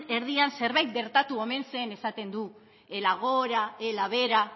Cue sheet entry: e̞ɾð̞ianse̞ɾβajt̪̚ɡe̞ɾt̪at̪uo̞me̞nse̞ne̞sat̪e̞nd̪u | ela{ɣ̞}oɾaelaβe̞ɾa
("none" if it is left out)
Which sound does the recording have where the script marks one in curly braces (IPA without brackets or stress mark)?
ɣ̞